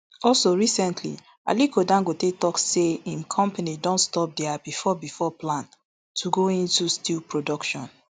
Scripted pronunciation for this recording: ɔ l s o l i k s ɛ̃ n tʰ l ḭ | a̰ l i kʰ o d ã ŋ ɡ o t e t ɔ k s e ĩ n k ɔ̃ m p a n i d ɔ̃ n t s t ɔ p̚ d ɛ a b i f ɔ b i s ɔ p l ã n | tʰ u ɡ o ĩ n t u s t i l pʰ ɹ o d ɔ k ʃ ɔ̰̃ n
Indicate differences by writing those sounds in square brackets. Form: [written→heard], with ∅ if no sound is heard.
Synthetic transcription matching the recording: ɔ l s o [l→ɹ] i [k→∅] s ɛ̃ n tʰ l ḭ | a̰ l i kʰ o d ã ŋ ɡ o t e t ɔ k s e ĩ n [k→kʰ] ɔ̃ m p a n i d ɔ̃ n t s t ɔ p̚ d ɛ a b i f ɔ b i [s→f] ɔ p l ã n | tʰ u ɡ o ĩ n t u s t i l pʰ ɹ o d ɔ k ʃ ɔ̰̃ n